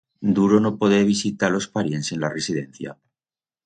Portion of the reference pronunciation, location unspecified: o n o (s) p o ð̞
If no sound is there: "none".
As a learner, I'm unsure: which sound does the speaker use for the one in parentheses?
none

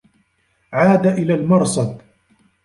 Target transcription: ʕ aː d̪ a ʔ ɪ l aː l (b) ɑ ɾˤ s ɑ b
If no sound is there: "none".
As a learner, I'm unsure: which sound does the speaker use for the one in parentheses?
m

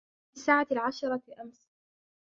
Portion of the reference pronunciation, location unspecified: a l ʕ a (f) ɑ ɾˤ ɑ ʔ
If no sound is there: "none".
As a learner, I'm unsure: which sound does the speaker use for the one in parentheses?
ʃ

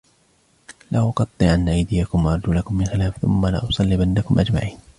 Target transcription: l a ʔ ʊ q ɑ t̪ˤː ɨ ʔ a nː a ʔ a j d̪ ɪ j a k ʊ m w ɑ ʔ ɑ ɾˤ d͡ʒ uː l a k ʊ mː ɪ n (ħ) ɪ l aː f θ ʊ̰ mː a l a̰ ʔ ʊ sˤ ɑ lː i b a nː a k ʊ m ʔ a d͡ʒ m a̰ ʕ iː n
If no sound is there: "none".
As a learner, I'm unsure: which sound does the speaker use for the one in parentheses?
x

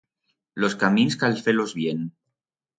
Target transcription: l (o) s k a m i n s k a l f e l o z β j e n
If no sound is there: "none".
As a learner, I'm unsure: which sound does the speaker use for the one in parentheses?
o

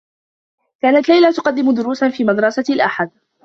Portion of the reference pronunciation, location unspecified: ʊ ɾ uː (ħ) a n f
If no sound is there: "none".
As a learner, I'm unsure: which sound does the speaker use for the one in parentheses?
s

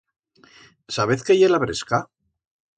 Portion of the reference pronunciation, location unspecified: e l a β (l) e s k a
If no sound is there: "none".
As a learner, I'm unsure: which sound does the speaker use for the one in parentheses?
ɾ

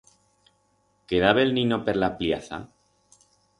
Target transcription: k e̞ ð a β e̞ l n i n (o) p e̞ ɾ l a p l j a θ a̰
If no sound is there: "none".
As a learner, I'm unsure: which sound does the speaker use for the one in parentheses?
o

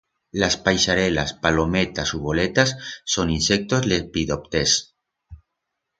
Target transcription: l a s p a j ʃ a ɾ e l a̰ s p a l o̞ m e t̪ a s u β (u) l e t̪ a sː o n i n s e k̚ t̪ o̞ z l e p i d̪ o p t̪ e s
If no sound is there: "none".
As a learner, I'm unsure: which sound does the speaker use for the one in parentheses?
o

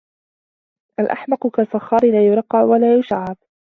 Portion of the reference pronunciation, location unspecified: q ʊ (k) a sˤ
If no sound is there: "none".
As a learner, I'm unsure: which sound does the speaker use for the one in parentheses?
k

